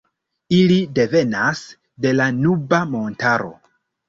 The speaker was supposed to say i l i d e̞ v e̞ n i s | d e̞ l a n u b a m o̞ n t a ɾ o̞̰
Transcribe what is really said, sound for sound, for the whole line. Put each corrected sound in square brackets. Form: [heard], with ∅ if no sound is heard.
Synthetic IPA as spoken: i l i d e̞ v e̞ n [a] s | d e̞ l a n u b a m o̞ n t a ɾ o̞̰